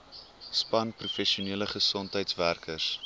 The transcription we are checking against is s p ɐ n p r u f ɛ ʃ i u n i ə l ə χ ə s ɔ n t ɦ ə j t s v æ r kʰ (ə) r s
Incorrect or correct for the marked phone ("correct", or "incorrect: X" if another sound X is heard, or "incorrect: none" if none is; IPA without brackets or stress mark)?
correct